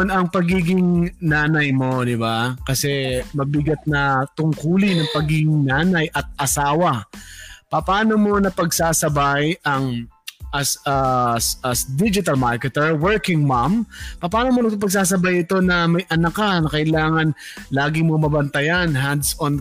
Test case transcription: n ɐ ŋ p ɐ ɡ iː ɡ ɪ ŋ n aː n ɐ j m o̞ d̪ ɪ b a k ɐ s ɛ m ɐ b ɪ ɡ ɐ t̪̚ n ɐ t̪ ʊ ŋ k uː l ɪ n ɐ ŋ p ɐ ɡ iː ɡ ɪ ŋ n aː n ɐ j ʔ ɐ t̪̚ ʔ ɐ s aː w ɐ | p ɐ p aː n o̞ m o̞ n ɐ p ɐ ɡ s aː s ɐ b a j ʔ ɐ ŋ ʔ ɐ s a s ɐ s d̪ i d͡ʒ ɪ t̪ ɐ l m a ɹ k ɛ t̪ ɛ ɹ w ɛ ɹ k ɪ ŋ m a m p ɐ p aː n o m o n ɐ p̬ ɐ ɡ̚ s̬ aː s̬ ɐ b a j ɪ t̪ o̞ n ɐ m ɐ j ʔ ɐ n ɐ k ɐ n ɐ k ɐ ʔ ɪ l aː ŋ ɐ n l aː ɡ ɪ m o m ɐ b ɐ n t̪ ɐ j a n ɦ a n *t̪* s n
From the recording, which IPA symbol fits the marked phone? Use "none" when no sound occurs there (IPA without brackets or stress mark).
d̪